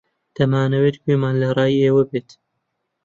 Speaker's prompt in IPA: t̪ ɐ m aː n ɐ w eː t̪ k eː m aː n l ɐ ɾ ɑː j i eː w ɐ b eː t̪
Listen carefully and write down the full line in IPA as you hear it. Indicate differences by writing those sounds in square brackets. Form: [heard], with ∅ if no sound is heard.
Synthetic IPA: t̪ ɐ m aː n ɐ w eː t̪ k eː m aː n l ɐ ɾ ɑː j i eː w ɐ b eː t̪